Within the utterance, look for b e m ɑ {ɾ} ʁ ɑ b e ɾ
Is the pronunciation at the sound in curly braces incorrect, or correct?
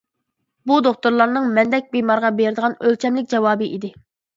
correct